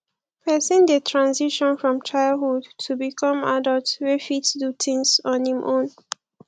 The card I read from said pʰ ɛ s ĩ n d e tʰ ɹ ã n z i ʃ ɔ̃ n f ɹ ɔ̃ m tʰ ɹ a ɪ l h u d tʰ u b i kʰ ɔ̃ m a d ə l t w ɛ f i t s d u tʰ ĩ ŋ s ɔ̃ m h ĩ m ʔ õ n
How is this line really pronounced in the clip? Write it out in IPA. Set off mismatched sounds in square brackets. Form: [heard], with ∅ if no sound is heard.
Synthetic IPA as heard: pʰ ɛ s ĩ n d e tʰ ɹ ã n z i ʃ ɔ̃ n f ɹ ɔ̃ m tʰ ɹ a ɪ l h u d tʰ u b i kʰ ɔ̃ m a d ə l t w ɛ f i t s d u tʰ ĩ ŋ s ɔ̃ [n] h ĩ m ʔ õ n